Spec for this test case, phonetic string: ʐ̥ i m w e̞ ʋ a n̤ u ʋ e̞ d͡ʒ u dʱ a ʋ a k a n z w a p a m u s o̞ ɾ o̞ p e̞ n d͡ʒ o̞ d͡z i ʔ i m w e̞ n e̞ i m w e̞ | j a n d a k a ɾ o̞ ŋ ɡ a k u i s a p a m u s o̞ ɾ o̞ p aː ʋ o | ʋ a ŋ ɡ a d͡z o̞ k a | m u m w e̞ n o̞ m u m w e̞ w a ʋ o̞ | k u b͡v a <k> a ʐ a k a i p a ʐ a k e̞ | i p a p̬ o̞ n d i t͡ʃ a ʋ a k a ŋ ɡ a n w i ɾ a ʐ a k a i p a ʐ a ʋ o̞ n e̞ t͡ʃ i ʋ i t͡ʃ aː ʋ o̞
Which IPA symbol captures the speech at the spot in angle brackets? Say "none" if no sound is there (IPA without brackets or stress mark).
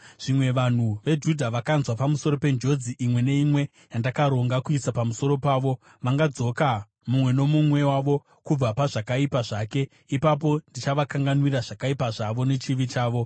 p